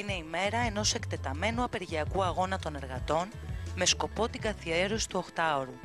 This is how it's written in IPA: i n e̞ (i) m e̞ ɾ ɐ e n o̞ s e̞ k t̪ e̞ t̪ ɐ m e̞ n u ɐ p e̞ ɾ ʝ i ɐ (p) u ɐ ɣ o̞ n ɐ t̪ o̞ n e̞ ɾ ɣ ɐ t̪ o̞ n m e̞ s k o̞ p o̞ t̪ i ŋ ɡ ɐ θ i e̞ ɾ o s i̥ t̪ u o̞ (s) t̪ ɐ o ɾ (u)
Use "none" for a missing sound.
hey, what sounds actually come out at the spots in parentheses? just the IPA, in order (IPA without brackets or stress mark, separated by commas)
i, k, x, u